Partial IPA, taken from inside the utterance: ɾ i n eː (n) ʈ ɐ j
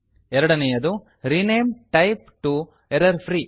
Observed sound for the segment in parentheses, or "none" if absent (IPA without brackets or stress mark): m